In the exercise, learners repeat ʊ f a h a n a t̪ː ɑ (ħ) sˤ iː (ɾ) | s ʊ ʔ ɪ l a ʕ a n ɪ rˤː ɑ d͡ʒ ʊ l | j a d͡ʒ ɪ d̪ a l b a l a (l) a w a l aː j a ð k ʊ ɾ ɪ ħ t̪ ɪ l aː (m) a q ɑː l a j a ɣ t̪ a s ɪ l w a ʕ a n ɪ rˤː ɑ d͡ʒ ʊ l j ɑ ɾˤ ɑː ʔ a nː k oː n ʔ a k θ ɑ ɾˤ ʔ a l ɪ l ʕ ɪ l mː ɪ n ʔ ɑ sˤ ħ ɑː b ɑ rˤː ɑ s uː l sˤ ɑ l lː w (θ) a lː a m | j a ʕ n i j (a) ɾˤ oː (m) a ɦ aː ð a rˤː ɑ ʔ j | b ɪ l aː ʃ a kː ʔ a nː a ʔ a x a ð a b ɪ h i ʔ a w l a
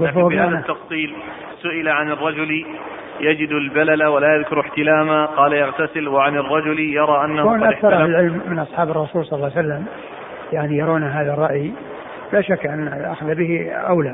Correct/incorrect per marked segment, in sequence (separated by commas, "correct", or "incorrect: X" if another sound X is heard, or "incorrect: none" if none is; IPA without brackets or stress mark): incorrect: f, incorrect: l, correct, correct, incorrect: s, incorrect: ɑ, incorrect: n